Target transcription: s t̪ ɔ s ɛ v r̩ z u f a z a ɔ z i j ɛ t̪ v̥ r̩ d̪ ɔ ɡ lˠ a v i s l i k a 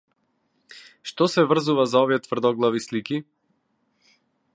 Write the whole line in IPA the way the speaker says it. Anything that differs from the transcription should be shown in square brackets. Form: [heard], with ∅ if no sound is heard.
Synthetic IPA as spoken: [ʃ] t̪ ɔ s ɛ v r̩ z u [v] a z a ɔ [v] i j ɛ t̪ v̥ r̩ d̪ ɔ ɡ lˠ a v i s l i k [i]